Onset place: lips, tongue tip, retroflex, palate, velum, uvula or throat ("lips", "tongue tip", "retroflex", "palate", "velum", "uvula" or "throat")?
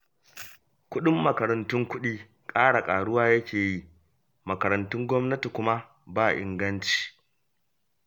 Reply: velum